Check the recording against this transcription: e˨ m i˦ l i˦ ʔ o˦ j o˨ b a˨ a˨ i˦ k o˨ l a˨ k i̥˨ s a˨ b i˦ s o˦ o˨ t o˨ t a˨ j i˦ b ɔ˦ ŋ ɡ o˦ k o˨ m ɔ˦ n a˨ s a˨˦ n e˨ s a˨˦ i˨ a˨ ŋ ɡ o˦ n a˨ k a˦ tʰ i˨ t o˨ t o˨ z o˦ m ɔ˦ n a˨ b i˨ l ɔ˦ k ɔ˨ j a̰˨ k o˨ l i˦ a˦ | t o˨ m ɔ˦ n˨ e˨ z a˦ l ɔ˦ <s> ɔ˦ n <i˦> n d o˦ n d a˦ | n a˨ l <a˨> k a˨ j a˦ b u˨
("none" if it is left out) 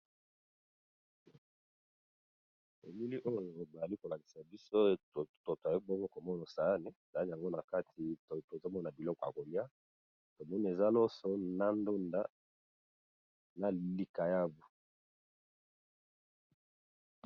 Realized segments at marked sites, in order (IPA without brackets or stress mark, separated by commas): s, a˦, i˨